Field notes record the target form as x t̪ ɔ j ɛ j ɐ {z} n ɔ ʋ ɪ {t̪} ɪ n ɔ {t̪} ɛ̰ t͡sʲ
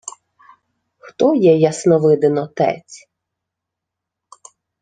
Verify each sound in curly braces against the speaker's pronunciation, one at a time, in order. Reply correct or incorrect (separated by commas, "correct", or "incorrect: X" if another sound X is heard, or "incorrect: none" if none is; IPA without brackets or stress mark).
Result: incorrect: s, incorrect: d̪, correct